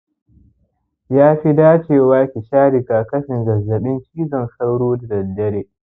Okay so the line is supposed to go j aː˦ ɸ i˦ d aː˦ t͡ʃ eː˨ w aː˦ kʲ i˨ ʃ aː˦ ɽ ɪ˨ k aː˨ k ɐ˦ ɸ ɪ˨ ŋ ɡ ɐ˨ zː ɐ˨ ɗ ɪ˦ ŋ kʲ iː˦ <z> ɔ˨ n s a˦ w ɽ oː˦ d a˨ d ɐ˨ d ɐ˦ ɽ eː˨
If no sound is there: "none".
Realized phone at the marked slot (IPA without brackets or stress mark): z